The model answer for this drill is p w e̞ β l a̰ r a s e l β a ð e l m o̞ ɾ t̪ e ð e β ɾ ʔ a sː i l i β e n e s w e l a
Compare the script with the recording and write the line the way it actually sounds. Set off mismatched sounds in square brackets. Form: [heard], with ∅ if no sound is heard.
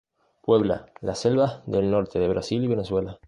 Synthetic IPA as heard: p w e̞ β l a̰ [l] a s e l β a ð e l [n] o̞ ɾ t̪ e ð e β ɾ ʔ a [s] i l i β e n e s w e l a